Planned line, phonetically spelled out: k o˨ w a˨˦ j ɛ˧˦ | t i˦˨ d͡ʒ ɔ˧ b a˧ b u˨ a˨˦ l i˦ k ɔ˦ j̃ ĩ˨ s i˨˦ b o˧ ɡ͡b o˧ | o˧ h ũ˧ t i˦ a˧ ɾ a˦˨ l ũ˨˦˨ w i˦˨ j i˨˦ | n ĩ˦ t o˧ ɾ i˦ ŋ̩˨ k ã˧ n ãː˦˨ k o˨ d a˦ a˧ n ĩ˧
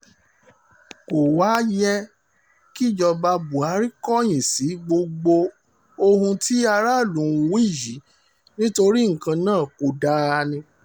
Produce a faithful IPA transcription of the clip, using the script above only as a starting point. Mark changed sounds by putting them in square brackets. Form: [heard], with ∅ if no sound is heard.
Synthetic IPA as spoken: k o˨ w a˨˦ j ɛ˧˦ | [k] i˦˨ d͡ʒ ɔ˧ b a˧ b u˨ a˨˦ [ɾ] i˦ k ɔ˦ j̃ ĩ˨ s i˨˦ [ɡ͡b] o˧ ɡ͡b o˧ | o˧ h ũ˧ t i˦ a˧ ɾ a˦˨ l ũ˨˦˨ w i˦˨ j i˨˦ | n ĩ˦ t o˧ ɾ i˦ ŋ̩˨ k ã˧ n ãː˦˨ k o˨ d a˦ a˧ n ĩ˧